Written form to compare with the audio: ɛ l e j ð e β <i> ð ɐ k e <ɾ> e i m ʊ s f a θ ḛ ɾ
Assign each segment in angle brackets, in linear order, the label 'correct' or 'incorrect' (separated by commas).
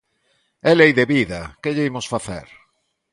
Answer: correct, incorrect